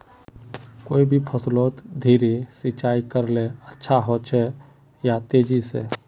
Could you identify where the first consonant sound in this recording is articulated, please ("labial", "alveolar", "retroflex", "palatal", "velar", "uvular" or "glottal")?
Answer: velar